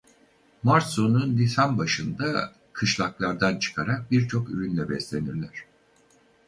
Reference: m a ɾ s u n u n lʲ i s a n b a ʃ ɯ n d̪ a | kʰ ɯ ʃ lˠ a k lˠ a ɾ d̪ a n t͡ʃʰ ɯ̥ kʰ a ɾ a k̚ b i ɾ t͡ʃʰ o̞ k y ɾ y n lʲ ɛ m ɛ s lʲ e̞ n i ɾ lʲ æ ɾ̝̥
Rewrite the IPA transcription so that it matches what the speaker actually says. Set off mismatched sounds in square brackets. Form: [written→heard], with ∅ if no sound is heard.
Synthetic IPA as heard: m a ɾ s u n u n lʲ i s a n b a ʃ ɯ n d̪ a | kʰ ɯ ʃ lˠ a k lˠ a ɾ d̪ a n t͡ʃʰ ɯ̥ kʰ a ɾ a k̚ b i ɾ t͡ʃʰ o̞ k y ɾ y n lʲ ɛ [m→b] ɛ s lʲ e̞ n i ɾ lʲ æ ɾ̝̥